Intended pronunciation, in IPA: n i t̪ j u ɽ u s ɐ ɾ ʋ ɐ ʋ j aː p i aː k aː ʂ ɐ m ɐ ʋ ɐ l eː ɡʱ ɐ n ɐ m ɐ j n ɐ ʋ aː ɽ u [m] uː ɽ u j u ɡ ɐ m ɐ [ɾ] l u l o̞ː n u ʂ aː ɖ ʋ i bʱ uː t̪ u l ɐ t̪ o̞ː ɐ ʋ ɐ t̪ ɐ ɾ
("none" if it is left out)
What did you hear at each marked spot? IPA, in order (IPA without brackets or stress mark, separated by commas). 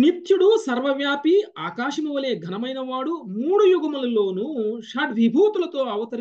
m, none